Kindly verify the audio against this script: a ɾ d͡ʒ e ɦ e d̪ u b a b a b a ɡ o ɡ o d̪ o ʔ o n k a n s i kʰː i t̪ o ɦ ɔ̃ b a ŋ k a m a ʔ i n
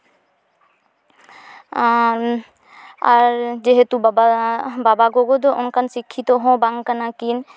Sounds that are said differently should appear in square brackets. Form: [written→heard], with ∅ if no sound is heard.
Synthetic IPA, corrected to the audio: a ɾ d͡ʒ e ɦ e [d̪→t̪] u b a b a b a ɡ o ɡ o d̪ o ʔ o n k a n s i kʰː i t̪ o ɦ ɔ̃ b a ŋ k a [m→n] a [ʔ→k] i n